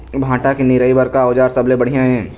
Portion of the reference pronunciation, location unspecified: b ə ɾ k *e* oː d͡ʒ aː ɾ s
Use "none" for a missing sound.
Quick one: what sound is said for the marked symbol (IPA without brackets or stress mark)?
a